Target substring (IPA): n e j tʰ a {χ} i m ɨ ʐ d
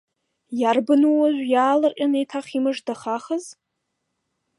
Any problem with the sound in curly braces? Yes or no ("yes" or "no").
no